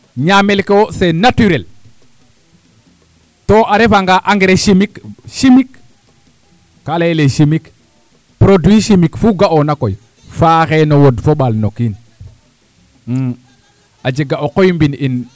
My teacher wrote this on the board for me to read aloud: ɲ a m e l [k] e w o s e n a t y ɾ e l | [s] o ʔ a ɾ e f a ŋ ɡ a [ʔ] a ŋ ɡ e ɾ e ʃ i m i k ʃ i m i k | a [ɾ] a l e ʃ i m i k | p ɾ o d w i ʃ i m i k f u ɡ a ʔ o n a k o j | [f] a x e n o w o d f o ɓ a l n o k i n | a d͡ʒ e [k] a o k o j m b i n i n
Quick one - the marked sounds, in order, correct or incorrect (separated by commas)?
correct, incorrect, correct, incorrect, correct, incorrect